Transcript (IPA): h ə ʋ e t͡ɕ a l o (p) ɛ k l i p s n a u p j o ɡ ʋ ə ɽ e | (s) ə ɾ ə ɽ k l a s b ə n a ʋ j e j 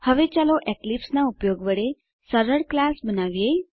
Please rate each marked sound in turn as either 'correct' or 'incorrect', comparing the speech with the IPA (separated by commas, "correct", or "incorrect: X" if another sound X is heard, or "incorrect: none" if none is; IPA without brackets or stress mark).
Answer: incorrect: ʔ, correct